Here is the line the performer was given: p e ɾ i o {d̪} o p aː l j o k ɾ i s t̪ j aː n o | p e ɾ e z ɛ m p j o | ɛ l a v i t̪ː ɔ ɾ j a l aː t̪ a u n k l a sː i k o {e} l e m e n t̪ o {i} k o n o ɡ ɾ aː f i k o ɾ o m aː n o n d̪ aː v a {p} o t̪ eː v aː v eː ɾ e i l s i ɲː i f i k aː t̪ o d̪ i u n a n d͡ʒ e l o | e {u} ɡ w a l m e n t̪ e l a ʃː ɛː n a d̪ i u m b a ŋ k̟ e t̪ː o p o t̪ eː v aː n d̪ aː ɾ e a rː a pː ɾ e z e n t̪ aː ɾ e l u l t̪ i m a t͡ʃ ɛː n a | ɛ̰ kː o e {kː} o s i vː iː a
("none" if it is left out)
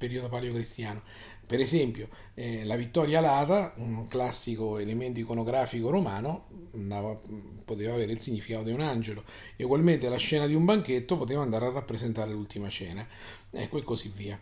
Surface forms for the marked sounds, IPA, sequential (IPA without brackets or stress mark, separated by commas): d̪, e, i, p, u, kː